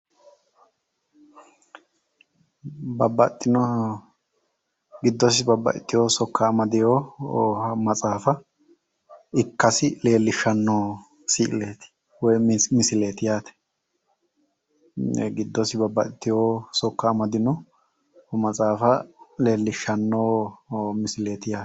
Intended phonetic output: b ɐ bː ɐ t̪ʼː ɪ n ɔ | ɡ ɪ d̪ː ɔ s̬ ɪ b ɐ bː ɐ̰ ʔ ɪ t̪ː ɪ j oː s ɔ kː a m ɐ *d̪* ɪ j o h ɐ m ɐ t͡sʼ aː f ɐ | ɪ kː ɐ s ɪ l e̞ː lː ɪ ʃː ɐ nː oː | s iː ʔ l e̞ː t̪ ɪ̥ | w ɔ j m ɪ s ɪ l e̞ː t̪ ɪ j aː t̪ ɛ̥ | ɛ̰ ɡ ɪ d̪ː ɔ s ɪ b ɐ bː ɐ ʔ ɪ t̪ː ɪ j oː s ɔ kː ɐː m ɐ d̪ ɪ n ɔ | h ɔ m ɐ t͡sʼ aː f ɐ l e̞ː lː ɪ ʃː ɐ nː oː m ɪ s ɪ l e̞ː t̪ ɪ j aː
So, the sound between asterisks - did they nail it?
yes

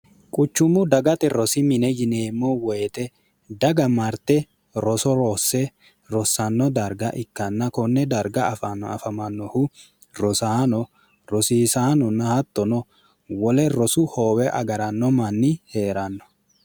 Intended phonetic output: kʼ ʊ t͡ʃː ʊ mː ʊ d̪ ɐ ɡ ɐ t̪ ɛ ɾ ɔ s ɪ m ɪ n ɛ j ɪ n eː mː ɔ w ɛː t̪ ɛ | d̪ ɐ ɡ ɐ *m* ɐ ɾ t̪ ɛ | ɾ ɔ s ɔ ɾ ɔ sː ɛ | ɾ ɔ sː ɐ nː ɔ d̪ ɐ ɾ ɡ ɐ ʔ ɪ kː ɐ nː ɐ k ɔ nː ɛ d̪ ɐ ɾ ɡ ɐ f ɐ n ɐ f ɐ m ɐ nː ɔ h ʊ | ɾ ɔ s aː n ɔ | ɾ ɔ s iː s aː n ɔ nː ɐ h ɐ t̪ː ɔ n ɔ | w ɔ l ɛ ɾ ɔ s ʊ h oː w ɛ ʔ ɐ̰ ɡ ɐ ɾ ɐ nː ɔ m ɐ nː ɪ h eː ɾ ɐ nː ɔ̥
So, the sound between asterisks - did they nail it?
yes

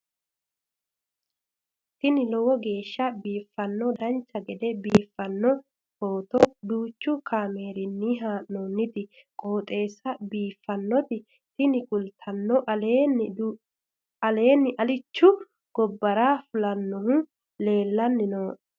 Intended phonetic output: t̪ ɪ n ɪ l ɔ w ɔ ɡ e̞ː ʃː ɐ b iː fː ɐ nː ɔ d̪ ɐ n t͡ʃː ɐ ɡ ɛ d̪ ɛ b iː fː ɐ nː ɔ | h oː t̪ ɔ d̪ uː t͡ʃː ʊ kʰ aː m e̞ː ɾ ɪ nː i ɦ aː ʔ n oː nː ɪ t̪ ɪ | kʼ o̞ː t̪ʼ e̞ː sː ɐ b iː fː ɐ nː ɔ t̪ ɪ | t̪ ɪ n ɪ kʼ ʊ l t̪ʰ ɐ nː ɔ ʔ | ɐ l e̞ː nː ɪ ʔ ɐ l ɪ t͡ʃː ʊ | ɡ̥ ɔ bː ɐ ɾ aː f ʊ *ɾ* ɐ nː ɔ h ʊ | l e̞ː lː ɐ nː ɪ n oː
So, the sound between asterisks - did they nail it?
no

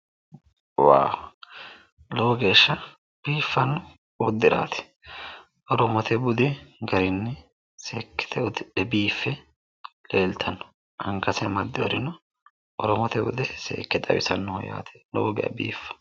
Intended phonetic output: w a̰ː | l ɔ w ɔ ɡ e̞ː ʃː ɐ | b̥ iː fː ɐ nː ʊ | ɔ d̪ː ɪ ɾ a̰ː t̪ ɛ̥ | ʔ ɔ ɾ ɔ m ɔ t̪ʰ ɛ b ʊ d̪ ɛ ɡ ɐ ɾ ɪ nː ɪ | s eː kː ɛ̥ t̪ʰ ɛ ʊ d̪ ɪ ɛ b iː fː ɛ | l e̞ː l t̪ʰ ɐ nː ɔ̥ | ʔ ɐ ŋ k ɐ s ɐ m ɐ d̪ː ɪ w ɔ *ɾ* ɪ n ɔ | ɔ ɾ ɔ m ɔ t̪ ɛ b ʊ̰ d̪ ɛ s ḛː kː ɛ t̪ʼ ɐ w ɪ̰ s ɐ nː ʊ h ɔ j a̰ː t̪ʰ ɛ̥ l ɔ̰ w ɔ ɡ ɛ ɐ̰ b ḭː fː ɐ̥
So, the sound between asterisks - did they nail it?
yes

